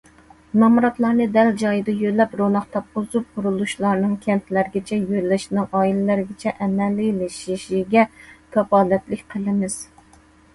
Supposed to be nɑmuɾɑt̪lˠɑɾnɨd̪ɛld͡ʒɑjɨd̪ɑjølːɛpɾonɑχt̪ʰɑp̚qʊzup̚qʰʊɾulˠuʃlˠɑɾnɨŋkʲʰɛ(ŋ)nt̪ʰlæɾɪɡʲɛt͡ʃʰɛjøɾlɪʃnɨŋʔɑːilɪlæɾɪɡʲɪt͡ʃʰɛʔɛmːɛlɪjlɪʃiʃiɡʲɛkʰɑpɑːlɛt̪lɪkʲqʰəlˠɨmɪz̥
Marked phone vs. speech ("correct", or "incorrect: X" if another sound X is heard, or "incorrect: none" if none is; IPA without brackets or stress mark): incorrect: none